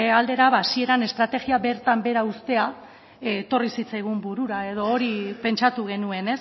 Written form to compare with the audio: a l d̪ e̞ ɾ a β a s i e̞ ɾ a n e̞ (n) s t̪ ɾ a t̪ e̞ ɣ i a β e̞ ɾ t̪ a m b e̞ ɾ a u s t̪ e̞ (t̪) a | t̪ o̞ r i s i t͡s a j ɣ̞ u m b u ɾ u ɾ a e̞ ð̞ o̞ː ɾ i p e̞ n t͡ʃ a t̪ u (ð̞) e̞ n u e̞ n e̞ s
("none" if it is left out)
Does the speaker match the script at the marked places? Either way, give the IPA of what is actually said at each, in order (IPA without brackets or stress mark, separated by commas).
none, none, ɣ̞